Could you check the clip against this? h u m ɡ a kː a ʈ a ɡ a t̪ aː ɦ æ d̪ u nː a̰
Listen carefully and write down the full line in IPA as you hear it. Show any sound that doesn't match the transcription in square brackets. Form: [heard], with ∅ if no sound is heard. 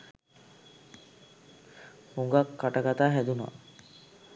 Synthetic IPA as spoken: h u [ŋ] ɡ a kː a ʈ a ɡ a t̪ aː ɦ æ d̪ u [n] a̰